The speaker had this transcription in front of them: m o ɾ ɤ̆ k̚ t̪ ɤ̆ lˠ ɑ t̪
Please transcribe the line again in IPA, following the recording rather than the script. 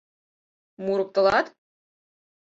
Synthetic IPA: m u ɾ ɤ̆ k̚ t̪ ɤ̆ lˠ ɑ t̪